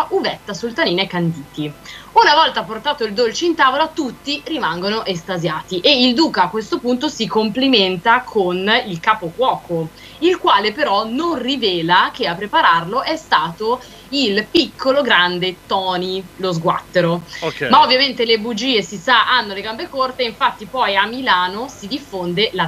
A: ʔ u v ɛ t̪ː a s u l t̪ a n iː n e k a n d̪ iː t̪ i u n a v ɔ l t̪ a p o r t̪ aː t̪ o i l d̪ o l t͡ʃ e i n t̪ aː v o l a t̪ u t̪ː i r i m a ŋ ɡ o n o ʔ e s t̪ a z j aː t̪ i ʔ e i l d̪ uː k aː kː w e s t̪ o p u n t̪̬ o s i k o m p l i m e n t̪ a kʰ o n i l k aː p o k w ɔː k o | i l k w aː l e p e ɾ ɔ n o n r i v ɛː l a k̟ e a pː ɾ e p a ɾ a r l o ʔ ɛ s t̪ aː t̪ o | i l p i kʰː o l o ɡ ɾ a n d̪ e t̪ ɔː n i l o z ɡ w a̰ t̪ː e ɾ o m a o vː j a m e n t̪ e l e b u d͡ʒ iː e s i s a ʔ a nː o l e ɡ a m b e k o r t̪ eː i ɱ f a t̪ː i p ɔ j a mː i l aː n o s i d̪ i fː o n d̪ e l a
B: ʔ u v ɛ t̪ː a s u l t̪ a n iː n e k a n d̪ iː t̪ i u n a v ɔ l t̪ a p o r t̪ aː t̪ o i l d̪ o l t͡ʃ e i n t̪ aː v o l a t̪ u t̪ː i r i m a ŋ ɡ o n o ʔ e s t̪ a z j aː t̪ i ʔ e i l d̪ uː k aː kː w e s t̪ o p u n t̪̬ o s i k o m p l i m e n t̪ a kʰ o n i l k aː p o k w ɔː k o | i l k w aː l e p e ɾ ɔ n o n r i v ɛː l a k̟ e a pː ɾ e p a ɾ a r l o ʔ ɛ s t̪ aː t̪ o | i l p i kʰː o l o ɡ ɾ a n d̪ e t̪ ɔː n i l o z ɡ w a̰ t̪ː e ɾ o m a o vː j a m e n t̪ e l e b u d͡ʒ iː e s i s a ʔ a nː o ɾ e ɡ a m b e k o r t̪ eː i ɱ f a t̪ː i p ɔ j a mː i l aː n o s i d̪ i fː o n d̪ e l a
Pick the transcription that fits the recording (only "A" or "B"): A